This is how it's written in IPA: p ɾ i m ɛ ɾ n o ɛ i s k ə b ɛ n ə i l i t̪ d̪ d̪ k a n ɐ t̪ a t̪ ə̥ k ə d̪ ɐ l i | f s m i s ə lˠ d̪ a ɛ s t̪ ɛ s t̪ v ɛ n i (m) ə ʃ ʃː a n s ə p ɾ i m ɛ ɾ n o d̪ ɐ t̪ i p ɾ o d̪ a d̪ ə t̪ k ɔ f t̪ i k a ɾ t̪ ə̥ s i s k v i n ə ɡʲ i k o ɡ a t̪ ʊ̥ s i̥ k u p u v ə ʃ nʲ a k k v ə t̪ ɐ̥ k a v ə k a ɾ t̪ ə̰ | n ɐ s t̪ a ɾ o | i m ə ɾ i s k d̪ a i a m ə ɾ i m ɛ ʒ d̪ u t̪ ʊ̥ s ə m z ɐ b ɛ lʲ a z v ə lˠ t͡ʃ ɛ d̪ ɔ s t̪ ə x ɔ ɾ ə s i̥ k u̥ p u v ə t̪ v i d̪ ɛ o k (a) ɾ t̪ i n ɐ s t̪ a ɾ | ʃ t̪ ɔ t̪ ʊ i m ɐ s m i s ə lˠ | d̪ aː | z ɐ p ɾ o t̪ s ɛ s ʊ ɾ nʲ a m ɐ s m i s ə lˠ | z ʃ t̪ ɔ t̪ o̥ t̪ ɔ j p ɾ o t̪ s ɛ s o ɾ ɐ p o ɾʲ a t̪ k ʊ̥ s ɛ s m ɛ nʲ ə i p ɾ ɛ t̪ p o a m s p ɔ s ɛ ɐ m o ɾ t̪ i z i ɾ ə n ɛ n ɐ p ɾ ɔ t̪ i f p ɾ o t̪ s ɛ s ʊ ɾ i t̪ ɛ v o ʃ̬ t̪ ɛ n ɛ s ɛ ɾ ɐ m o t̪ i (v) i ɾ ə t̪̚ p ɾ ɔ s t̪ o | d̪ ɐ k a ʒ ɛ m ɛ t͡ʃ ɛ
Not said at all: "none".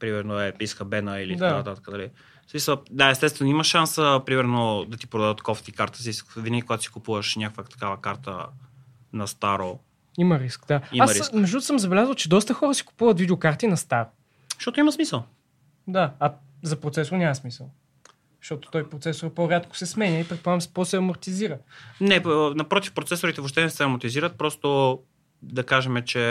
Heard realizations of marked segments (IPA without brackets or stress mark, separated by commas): m, a, z